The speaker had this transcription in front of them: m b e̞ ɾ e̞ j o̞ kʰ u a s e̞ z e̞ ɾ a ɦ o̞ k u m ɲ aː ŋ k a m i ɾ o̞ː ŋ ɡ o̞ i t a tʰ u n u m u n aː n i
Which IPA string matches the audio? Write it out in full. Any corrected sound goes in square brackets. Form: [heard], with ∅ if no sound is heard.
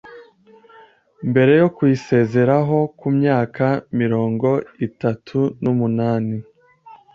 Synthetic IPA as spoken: m b e̞ ɾ e̞ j o̞ [k] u [i] s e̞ z e̞ ɾ a ɦ o̞ k u m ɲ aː [∅] k a m i ɾ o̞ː ŋ ɡ o̞ i t a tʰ u n u m u n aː n i